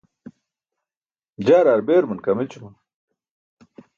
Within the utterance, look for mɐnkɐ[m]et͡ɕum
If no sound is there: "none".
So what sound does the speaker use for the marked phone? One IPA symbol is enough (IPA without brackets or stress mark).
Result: m